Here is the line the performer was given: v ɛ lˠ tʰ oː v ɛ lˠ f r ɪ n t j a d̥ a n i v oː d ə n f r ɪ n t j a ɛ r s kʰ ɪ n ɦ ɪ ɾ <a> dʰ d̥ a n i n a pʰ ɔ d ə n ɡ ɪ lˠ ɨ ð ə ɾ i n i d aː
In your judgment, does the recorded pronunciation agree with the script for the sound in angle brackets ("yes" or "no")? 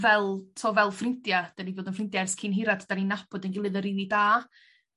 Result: yes